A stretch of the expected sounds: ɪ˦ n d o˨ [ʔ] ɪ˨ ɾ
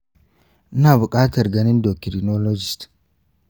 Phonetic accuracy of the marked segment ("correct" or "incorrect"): incorrect